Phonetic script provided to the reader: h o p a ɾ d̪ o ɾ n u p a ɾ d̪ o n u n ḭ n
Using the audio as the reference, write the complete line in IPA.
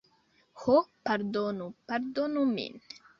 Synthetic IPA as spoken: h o p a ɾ d̪ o n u p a ɾ d̪ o n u m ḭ n